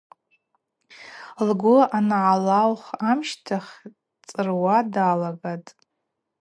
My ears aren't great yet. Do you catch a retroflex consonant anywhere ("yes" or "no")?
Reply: no